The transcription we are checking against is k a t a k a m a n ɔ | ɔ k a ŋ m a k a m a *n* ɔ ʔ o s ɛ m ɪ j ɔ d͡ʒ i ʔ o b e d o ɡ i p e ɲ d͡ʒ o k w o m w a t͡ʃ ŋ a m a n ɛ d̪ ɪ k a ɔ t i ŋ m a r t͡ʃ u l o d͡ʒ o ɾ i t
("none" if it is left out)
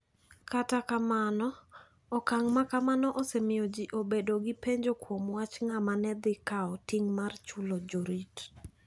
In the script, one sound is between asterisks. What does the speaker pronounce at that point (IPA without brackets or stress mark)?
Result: n